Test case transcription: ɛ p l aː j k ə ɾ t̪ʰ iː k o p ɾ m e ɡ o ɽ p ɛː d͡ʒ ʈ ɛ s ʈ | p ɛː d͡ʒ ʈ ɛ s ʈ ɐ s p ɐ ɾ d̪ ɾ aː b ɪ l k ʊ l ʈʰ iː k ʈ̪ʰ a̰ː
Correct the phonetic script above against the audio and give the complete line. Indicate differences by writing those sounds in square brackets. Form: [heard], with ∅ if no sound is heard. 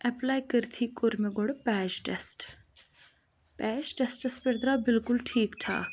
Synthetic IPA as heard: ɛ p l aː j k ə ɾ t̪ʰ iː k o [∅] ɾ m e ɡ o ɽ p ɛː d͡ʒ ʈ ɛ s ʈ | p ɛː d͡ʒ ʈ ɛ s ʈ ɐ s p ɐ ɾ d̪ ɾ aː b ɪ l k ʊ l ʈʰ iː k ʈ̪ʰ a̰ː